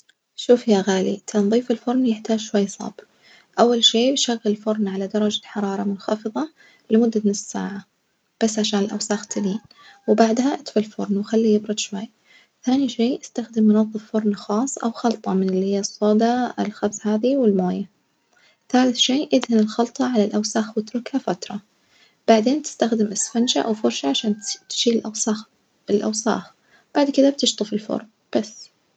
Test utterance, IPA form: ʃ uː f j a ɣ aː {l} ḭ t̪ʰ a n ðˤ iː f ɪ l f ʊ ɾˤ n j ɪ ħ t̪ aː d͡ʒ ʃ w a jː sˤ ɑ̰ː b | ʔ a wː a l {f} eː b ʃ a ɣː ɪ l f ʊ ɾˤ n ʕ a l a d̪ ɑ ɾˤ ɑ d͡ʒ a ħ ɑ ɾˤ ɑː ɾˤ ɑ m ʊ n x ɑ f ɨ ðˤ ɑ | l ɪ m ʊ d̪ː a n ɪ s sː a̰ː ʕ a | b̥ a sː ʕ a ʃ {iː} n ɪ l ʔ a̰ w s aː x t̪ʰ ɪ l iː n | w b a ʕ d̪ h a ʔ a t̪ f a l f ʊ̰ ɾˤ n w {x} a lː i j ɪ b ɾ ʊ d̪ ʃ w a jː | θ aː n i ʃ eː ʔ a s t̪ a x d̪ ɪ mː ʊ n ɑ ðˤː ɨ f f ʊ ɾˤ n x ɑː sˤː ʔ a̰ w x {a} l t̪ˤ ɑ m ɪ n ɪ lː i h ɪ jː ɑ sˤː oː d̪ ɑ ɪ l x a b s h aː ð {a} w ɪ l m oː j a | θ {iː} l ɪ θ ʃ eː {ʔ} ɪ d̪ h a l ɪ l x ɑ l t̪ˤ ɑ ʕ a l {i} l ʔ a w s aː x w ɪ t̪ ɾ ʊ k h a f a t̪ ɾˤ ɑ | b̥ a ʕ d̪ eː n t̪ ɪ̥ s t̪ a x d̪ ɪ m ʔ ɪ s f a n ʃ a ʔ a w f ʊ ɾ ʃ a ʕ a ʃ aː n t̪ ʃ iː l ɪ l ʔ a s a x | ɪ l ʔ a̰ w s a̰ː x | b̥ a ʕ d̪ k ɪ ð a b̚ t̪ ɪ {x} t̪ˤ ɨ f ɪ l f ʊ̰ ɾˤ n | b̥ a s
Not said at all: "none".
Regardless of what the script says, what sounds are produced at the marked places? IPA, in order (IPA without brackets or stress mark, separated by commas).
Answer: l, ʃ, aː, x, ɑ, i, aː, ʔ, a, ʃ